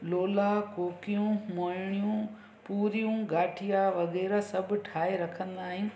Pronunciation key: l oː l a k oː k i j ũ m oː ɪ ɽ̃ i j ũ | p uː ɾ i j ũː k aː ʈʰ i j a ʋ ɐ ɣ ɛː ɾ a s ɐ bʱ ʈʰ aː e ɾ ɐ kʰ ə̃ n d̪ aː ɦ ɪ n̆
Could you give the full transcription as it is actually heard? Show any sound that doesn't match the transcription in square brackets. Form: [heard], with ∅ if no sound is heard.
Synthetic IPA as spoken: l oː l a k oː k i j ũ m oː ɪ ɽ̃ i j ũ | p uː ɾ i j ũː [ɡ] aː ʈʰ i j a ʋ ɐ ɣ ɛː ɾ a s ɐ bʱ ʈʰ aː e ɾ ɐ kʰ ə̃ n d̪ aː ɦ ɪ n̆